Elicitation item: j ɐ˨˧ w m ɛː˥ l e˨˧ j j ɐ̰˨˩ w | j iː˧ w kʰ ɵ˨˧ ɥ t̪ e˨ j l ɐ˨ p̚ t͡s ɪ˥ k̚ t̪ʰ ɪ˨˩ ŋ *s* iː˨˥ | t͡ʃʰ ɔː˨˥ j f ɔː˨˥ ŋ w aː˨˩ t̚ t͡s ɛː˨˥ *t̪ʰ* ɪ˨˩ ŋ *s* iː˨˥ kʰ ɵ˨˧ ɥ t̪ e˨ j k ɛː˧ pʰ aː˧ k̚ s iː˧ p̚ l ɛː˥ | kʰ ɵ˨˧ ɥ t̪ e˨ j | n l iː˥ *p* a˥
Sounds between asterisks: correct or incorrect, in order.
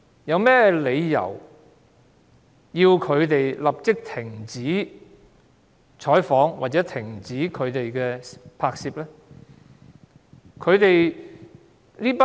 incorrect, correct, incorrect, correct

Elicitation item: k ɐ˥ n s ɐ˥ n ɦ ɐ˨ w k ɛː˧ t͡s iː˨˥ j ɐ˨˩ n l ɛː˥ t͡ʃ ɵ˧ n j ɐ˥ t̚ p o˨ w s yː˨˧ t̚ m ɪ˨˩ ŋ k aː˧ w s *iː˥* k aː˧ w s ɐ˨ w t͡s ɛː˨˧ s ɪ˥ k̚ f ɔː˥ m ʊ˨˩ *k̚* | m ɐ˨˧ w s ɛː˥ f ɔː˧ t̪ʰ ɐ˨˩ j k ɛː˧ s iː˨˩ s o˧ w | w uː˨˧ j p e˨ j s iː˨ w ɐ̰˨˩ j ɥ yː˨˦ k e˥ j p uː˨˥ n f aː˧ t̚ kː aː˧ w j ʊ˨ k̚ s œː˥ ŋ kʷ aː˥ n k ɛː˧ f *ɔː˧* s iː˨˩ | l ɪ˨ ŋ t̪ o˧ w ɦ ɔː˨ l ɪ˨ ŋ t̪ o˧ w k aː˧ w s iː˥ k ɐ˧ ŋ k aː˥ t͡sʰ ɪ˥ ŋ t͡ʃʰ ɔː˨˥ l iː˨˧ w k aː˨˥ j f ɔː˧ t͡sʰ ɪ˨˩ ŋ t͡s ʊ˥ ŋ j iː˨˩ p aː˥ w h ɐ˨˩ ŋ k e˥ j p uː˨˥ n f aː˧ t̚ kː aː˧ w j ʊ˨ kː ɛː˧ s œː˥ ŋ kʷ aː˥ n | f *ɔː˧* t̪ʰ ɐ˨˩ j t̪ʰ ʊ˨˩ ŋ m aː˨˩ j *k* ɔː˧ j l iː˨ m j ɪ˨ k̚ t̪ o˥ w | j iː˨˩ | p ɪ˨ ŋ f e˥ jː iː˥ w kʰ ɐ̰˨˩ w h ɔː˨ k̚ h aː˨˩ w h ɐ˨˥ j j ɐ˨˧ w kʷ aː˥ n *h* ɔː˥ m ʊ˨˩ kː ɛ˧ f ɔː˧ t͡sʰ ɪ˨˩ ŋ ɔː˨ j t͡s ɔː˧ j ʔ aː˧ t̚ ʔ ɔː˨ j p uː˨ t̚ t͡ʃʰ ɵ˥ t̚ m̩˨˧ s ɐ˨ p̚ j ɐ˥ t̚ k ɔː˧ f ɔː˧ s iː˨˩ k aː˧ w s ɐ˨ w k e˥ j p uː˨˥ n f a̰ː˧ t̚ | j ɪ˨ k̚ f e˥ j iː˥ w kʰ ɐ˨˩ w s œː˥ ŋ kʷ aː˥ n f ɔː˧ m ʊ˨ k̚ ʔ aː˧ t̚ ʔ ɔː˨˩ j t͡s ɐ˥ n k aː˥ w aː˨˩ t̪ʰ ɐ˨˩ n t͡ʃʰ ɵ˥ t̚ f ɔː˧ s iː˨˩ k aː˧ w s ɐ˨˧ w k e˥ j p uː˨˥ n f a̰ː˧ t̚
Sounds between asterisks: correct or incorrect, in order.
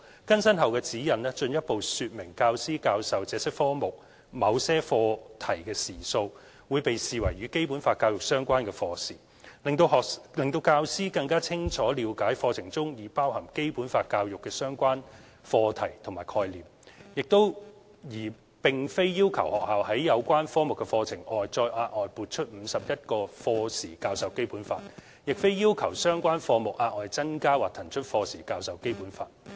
correct, correct, correct, correct, incorrect, incorrect

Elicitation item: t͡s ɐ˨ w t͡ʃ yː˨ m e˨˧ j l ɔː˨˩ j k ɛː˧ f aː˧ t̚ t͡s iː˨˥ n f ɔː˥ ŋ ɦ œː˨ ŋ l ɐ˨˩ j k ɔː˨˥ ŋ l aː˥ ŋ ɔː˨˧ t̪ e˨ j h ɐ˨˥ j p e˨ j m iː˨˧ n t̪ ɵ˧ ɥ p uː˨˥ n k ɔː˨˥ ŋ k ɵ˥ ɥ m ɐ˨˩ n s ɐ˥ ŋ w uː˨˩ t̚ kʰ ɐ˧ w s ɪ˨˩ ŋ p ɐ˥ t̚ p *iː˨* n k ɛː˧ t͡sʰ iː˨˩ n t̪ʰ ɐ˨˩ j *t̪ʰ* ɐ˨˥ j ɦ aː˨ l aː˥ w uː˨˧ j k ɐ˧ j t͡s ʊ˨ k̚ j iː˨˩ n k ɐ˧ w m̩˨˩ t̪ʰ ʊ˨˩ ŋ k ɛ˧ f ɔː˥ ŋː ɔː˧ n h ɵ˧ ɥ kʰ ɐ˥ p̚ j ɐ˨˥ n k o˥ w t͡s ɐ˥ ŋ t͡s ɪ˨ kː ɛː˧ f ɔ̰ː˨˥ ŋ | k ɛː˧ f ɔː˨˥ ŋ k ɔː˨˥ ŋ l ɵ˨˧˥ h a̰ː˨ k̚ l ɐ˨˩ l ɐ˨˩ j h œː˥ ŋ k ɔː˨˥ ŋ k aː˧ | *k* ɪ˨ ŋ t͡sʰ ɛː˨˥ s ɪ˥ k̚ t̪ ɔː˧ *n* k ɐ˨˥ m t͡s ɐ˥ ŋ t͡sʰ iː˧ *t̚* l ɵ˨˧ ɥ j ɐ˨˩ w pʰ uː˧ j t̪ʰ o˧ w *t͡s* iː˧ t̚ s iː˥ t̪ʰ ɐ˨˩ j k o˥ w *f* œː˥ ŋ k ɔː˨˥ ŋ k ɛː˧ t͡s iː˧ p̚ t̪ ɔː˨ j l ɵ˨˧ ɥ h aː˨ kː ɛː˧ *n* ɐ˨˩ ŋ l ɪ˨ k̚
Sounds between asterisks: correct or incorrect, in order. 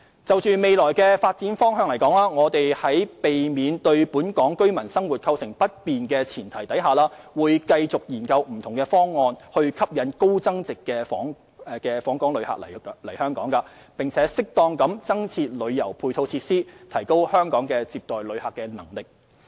correct, incorrect, incorrect, incorrect, correct, incorrect, incorrect, correct

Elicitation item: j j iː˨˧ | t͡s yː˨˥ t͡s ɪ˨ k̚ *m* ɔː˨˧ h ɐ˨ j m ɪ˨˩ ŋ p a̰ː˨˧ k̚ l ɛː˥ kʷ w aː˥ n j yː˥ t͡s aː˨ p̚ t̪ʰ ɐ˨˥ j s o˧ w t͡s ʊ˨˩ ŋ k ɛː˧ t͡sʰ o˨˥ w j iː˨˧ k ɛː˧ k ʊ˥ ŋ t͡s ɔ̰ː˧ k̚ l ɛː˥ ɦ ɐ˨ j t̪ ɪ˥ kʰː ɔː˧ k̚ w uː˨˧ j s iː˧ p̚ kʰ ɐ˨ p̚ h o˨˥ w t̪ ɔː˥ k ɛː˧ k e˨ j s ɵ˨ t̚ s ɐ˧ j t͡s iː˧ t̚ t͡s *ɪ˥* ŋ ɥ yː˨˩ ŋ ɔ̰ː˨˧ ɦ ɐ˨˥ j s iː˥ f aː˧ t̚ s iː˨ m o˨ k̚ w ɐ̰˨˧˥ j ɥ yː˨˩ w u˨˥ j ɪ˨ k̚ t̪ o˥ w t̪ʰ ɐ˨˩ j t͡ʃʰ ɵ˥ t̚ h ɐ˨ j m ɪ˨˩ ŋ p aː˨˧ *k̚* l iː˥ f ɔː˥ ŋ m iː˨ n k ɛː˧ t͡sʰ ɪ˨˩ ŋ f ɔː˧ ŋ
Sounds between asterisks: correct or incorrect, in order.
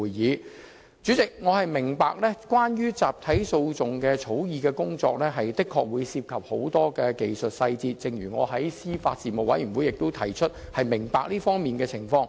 incorrect, incorrect, correct

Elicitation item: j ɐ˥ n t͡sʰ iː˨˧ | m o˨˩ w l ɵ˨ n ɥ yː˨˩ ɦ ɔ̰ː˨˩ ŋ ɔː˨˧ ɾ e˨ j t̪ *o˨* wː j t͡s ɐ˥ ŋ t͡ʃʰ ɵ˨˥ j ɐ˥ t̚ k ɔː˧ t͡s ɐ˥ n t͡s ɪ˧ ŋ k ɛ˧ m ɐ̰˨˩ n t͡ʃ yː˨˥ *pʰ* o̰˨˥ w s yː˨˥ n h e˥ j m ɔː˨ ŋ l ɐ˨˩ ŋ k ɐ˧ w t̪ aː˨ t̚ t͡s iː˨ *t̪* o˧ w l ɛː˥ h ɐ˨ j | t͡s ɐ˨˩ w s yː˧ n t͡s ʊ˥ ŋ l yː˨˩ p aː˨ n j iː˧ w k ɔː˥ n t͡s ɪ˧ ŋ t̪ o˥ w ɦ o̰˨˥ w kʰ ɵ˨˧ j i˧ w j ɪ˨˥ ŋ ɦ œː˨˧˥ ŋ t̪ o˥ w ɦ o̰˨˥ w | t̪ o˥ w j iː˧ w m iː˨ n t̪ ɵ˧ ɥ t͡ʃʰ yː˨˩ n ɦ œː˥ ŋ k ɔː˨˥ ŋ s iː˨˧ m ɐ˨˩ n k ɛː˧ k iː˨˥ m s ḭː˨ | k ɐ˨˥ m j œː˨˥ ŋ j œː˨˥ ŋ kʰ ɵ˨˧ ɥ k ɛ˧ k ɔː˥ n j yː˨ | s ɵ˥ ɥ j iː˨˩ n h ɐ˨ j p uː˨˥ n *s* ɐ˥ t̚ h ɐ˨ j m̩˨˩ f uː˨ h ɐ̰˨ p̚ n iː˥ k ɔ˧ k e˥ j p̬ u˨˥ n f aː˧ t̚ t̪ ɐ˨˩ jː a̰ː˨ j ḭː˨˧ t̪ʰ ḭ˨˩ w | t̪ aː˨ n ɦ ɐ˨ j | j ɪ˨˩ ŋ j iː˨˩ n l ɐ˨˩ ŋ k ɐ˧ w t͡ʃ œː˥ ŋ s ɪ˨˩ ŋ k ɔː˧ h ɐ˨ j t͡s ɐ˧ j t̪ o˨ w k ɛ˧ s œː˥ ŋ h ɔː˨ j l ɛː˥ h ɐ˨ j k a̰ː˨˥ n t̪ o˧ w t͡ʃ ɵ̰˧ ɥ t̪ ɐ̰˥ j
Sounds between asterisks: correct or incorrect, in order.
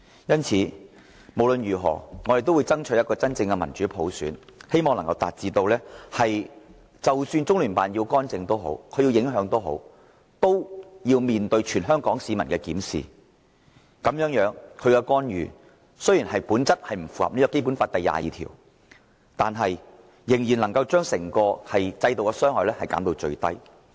incorrect, correct, correct, incorrect

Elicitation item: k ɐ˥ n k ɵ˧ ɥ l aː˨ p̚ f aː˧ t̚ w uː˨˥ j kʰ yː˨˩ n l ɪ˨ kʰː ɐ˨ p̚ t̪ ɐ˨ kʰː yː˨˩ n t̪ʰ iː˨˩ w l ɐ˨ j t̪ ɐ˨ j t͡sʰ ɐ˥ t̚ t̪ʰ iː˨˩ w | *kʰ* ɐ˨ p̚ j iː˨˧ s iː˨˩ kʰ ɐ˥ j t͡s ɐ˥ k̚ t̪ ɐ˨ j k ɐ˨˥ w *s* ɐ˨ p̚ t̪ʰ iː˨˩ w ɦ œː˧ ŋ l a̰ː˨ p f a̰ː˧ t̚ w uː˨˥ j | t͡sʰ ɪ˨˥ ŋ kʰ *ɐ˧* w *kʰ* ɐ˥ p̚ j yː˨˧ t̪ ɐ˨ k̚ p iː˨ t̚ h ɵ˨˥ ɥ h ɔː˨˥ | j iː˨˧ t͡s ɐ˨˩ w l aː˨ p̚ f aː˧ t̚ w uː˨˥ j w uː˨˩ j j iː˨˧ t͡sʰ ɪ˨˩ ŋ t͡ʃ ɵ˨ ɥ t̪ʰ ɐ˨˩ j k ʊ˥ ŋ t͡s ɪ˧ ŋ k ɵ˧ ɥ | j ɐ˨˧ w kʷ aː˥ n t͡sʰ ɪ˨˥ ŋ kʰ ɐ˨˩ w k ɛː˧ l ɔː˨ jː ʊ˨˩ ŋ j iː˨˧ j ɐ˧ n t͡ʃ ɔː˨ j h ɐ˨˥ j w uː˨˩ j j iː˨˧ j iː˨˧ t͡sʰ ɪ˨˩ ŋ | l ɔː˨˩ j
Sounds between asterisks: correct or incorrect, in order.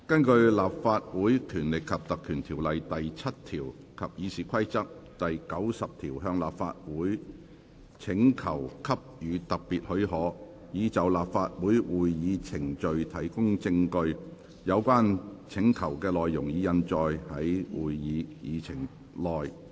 correct, correct, incorrect, correct

